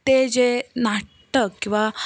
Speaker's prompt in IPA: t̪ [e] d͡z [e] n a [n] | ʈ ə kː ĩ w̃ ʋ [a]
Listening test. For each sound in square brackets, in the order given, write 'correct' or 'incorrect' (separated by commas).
correct, correct, incorrect, correct